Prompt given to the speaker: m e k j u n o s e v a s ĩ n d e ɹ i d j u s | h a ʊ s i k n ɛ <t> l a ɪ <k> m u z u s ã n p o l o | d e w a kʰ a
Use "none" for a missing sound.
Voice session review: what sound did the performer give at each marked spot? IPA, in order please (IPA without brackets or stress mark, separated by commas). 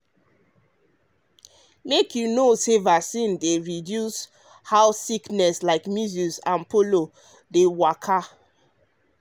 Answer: s, k